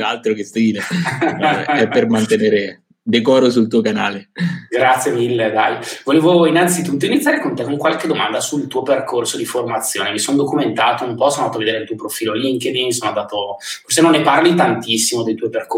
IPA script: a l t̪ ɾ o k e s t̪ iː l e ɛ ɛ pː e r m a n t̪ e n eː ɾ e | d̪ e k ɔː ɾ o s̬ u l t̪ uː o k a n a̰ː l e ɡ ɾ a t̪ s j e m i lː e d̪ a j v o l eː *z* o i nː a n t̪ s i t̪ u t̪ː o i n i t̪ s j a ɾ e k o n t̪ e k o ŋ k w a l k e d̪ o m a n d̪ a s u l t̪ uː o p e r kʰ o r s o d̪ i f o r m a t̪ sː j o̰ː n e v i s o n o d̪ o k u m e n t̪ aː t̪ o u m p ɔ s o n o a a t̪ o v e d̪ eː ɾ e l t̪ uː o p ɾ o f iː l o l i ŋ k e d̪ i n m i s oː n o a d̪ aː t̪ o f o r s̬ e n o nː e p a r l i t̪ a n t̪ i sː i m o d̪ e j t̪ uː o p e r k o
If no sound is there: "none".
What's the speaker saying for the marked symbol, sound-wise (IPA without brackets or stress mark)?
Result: v